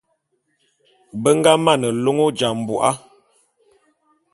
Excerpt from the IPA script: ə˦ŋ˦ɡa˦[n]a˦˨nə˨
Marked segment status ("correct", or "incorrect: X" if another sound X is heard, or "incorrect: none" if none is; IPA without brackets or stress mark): incorrect: m